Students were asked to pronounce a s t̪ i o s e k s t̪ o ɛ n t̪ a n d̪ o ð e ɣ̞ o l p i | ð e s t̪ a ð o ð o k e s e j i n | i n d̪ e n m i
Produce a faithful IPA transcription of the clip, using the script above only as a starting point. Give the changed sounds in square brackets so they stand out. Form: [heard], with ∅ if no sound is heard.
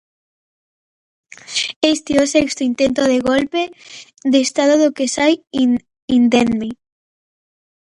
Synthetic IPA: [e] s t̪ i o s e k s t̪ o [i] n t̪ [e] n [t̪] o ð e ɣ̞ o l p [e] | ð e s t̪ a ð o ð o k e s [a] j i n | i n d̪ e n m i